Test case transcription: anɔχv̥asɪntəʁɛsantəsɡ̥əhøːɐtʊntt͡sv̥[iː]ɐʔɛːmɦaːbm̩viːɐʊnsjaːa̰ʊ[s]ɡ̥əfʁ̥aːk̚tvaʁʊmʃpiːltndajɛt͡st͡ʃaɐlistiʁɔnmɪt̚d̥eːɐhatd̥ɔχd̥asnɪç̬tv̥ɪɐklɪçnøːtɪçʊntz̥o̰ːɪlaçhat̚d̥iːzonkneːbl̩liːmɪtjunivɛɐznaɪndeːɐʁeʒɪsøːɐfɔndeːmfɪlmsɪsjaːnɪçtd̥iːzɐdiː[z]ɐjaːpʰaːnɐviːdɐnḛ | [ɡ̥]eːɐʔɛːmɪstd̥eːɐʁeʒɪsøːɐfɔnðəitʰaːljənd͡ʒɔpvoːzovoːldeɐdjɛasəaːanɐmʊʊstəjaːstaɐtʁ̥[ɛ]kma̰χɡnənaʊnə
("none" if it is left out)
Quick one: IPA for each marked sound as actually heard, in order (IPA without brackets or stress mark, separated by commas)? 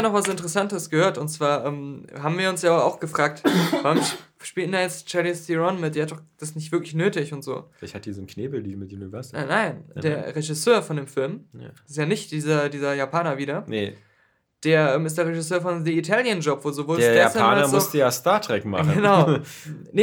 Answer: aː, x, z, d̥, ɛ